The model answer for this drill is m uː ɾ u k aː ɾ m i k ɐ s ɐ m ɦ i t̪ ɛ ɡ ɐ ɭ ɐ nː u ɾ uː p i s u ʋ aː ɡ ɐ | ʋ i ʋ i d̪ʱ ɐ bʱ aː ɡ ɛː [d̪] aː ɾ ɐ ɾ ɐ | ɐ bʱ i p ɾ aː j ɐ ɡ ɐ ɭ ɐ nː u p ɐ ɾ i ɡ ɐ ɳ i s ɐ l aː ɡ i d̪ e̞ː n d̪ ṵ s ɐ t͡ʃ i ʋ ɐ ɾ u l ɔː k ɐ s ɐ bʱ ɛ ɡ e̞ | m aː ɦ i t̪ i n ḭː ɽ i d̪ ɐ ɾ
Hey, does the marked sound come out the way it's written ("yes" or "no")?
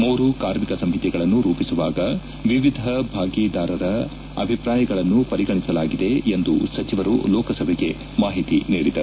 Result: yes